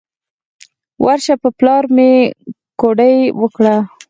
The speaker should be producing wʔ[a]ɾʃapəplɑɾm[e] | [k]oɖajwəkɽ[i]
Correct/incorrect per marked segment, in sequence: correct, correct, correct, incorrect: a

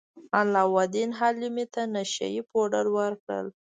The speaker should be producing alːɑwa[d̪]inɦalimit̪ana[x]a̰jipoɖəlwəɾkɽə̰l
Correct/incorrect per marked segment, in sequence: correct, incorrect: ʃ

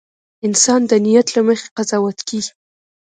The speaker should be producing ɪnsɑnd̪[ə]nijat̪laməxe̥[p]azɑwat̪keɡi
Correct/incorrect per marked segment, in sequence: correct, incorrect: q

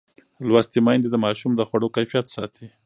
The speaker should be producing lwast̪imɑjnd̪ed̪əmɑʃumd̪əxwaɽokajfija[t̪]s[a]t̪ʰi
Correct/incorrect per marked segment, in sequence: correct, incorrect: ɑ

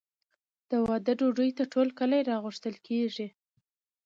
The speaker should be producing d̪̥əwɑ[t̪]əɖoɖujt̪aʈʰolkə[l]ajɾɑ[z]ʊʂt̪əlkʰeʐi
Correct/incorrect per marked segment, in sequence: incorrect: d̪, correct, incorrect: ɣ

